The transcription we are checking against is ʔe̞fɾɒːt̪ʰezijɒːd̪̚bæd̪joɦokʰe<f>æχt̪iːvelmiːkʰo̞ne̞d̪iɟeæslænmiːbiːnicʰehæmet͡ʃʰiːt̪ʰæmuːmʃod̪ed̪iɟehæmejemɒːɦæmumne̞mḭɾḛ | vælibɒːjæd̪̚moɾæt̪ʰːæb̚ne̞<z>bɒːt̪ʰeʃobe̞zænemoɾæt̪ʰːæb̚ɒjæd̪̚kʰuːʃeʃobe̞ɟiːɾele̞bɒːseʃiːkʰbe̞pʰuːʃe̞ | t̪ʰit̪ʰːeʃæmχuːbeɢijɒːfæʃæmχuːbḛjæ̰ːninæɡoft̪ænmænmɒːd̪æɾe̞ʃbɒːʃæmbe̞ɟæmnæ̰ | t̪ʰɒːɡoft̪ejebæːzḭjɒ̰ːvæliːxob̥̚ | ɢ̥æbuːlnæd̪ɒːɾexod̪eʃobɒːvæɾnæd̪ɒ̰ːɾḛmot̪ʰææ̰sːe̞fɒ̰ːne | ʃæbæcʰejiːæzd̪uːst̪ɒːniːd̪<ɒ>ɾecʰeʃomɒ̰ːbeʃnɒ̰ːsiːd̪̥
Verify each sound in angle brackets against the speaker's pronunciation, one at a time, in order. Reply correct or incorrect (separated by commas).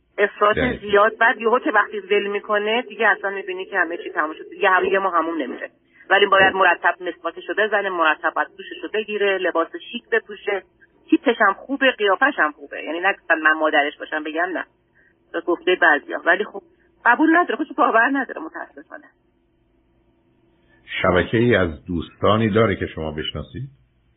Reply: incorrect, incorrect, incorrect